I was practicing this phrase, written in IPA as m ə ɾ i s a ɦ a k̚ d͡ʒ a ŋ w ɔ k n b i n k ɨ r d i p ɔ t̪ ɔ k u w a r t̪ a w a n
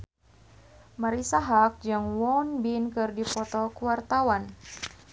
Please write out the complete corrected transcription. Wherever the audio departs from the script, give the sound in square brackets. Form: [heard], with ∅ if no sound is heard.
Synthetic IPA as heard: m [a] ɾ i s a ɦ a k̚ d͡ʒ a ŋ w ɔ [∅] n b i n k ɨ r d i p ɔ t̪ ɔ k u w a r t̪ a w a n